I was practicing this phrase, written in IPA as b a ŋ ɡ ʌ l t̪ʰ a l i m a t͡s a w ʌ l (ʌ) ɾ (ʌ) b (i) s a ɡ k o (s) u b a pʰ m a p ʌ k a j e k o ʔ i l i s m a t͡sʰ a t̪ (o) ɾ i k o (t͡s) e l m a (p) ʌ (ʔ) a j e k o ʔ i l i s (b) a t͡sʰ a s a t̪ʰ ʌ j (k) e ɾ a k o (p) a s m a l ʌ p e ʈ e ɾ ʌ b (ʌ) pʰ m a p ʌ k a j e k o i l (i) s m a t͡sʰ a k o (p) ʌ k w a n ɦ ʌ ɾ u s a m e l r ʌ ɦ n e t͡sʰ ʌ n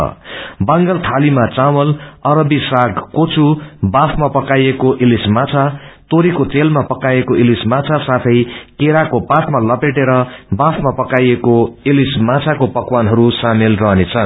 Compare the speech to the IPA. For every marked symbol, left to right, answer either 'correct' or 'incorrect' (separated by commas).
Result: correct, correct, correct, incorrect, correct, correct, correct, incorrect, incorrect, correct, correct, incorrect, correct, correct